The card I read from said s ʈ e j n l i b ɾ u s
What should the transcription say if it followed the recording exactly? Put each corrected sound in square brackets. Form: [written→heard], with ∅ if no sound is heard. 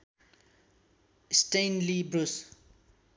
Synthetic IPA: s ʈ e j n l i b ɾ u s